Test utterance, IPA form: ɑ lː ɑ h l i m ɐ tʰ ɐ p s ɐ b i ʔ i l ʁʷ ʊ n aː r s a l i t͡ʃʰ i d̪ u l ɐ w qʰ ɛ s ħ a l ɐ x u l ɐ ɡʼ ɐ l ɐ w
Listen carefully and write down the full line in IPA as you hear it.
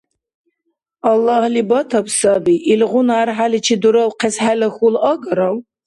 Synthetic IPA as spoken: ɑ lː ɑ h l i b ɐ tʰ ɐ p s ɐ b i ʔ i l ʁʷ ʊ n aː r ħ a l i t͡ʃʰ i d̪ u ɾ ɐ w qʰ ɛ s ħ a l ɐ x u l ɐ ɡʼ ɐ ɾ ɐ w